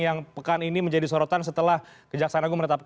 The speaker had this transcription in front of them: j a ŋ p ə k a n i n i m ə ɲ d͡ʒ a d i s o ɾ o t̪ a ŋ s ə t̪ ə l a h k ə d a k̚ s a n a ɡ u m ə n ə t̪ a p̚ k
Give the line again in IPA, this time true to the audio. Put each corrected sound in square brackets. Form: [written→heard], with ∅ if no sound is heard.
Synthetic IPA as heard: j a ŋ p ə k a n i n i m ə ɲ d͡ʒ a d i s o ɾ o t̪ a [ŋ→n] s ə t̪ ə l a h k ə [d→d͡ʒ] a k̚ s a n a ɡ u m ə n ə t̪ a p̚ k